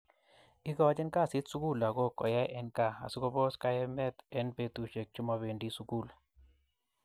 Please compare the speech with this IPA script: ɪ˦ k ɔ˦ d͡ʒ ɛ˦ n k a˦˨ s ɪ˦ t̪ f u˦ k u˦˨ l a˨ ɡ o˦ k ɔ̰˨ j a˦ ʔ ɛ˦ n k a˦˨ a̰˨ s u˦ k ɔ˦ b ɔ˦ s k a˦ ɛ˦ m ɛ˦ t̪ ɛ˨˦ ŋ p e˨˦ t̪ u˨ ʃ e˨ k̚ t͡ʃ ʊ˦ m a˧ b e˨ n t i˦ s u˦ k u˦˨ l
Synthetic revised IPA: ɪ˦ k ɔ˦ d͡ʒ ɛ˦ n k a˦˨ s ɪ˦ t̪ s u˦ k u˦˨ l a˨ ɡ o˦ k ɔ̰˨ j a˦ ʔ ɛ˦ n k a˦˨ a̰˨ s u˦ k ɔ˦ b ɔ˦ s k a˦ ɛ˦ m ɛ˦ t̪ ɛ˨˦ n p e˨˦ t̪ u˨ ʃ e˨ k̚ t͡ʃ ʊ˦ m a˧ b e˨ n d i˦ s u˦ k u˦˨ l